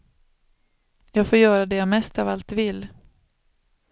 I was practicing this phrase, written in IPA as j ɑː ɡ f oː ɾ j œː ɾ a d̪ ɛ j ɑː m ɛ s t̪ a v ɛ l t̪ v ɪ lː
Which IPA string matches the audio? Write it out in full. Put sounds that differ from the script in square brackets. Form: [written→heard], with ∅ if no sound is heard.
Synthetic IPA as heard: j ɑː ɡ f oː ɾ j œː ɾ a d̪ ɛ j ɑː m ɛ s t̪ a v [ɛ→a] l t̪ v ɪ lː